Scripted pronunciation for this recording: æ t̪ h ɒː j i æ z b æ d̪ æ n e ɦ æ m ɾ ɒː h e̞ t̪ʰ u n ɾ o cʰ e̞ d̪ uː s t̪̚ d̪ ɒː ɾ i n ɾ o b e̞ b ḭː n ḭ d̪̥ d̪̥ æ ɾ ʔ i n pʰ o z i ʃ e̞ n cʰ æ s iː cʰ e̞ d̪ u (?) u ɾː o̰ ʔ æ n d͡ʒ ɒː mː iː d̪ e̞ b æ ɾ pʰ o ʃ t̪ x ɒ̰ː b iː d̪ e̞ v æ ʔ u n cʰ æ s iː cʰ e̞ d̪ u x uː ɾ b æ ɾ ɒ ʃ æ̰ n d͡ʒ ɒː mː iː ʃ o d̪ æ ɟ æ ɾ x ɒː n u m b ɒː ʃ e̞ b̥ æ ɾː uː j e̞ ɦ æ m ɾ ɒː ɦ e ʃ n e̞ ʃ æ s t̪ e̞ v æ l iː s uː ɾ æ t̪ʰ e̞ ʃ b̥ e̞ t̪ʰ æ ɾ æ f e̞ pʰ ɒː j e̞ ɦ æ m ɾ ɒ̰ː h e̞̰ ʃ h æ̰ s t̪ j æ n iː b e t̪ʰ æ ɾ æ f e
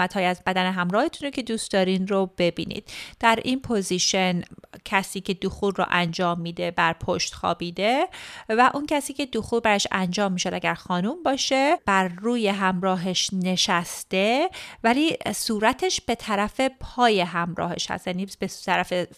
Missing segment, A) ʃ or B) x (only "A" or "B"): B